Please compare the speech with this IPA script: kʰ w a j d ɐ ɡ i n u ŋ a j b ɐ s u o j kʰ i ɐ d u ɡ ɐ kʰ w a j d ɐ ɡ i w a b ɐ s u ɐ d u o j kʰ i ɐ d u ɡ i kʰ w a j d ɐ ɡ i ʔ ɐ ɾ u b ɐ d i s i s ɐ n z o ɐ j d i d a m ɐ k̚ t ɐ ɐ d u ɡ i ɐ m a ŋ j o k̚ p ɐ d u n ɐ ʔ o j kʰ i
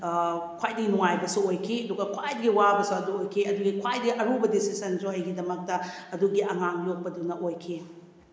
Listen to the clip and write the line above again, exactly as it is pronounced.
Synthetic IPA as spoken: kʰ w a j d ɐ ɡ i n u ŋ a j b ɐ s u o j kʰ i ɐ d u ɡ ɐ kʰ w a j d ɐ ɡ i w a b ɐ s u ɐ d u o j kʰ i ɐ d u ɡ i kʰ w a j d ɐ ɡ i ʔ ɐ ɾ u b ɐ d i s i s ɐ n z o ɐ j ɡ i d ɐ m ɐ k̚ t ɐ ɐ d u ɡ i ɐ ŋ a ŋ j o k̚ p ɐ d u n ɐ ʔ o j kʰ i